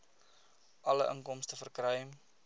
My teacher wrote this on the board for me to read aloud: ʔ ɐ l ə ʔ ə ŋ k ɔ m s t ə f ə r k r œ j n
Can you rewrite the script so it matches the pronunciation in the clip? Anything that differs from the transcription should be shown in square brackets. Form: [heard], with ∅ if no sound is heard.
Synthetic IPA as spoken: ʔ ɐ l ə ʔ ə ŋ k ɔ m s t ə f ə r k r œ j [m]